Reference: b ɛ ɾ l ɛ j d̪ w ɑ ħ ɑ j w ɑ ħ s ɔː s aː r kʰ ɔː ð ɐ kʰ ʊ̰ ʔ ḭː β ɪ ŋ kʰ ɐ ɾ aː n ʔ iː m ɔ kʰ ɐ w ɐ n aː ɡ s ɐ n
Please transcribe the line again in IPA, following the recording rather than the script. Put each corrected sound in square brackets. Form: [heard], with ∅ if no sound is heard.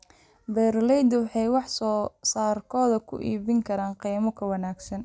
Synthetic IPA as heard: b ɛ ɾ l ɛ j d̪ w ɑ ħ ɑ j w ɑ ħ s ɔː s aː r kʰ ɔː ð ɐ kʰ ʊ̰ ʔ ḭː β ɪ ŋ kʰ ɐ ɾ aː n [q] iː m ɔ kʰ ɐ w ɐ n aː ɡ s ɐ n